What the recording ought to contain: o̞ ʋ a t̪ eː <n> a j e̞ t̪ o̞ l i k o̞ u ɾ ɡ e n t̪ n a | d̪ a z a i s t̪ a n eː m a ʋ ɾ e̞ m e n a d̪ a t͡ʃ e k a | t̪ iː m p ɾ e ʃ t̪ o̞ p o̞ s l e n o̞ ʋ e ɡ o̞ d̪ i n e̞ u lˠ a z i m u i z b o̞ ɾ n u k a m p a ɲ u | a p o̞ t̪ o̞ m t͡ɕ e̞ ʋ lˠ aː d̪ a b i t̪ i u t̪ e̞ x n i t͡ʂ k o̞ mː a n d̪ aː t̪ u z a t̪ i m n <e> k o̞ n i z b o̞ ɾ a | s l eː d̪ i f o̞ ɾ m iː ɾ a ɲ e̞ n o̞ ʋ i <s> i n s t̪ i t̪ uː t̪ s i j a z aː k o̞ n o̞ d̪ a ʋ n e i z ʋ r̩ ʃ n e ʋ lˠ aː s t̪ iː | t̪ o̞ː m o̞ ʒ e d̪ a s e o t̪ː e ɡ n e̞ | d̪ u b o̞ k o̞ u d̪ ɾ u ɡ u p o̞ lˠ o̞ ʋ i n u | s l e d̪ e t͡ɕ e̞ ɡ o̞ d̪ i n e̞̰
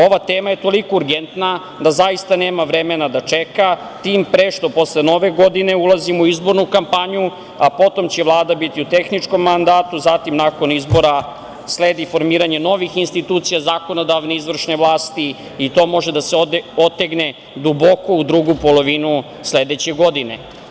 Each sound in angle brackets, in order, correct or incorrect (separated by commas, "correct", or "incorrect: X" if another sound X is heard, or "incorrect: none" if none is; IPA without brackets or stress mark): incorrect: m, incorrect: a, incorrect: x